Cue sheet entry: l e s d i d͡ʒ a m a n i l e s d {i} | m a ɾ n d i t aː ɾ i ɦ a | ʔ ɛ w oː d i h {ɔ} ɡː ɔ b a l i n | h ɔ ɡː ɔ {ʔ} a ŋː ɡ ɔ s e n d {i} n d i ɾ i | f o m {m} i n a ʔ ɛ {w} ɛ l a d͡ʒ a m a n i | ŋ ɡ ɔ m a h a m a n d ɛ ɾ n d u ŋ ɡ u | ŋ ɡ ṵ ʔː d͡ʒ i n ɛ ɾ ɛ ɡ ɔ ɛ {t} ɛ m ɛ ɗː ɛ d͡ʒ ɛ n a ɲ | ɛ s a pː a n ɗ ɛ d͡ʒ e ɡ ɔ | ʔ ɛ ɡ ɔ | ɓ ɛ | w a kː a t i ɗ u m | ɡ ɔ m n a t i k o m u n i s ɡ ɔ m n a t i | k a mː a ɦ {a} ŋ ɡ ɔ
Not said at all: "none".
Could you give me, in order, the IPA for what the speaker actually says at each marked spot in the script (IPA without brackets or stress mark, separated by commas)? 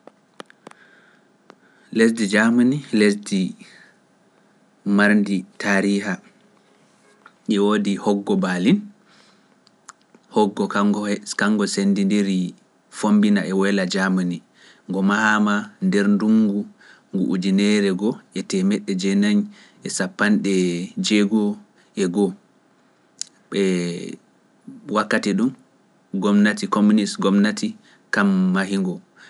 i, ɔ, k, i, b, w, t, i